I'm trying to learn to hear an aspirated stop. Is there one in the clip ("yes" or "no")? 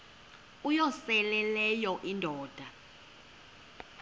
no